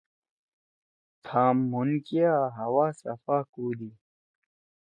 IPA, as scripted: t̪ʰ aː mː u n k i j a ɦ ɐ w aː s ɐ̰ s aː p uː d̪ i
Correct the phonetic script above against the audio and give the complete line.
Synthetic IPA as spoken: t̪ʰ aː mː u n k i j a ɦ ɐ w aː s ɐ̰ f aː k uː d̪ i